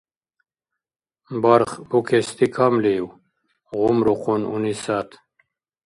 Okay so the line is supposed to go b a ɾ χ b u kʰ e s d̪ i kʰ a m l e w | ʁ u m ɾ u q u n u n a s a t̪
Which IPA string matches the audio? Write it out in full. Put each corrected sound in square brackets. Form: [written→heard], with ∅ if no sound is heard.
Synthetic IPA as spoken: b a ɾ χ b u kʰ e s [d̪→t̪] i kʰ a m l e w | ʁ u m ɾ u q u n u n [a→i] s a t̪